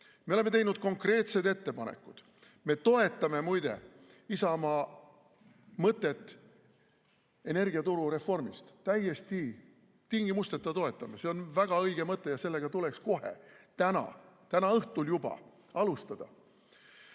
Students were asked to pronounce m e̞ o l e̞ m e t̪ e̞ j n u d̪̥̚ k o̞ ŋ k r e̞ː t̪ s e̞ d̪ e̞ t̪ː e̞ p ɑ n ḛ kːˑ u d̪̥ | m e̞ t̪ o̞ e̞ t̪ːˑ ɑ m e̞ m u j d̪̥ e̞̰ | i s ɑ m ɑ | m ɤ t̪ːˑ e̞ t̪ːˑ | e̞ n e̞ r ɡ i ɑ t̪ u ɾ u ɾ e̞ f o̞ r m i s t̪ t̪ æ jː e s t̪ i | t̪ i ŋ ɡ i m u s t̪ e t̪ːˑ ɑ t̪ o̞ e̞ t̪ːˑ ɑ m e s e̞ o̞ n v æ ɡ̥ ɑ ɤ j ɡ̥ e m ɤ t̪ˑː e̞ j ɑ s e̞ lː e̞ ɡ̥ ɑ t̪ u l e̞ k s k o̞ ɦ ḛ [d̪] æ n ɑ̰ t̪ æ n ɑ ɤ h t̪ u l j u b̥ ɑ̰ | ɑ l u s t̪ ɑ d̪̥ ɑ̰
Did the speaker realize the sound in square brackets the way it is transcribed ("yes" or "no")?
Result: no